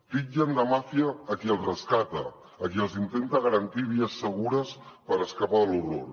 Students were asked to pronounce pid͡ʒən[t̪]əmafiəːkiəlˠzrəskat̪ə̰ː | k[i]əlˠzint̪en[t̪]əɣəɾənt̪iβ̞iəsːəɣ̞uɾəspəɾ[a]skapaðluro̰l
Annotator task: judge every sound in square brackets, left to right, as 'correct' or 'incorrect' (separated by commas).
incorrect, correct, correct, incorrect